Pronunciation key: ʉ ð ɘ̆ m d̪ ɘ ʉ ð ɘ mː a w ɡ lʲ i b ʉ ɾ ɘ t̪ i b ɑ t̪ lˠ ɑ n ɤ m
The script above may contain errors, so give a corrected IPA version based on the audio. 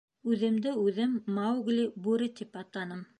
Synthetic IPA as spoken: ʉ ð ɘ̆ m d̪ ɘ ʉ ð ɘ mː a w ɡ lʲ i b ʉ ɾ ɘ t̪ i p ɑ t̪ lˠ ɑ n ɤ m